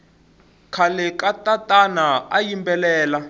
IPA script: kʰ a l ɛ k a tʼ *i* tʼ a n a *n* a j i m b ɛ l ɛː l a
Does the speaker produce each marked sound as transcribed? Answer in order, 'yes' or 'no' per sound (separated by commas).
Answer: no, no